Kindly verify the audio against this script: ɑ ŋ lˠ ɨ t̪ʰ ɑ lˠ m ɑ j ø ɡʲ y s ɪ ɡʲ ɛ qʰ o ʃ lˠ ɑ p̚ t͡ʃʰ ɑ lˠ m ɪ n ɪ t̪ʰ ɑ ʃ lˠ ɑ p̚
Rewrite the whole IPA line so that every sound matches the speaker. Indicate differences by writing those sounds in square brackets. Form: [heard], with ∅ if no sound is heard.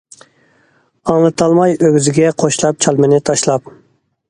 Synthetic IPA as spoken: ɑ ŋ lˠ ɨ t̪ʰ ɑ lˠ m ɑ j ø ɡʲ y [z] ɪ ɡʲ ɛ qʰ o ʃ lˠ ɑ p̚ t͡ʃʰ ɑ lˠ m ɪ n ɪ t̪ʰ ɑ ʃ lˠ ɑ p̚